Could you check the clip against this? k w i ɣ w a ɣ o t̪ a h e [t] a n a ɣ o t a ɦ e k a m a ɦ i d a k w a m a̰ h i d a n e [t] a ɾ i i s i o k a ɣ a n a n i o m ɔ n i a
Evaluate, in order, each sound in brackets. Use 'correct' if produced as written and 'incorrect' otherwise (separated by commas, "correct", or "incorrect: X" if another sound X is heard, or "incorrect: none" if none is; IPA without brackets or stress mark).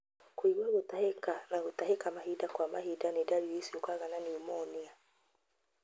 incorrect: k, incorrect: d